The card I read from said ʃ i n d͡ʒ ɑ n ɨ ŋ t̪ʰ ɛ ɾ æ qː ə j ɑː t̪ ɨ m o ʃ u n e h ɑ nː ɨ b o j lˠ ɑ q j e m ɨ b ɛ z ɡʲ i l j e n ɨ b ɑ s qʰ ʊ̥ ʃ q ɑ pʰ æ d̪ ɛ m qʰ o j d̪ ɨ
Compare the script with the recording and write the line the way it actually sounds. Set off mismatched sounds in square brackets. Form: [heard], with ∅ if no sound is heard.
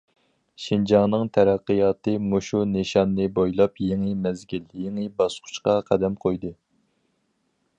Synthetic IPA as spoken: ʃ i n d͡ʒ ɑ n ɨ ŋ t̪ʰ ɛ ɾ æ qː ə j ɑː t̪ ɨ m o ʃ u n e [ʃ] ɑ nː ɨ b o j lˠ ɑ [p] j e [ŋ] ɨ [m] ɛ z ɡʲ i l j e [ŋ] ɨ b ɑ s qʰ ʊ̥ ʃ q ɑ [qʰ] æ d̪ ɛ m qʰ o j d̪ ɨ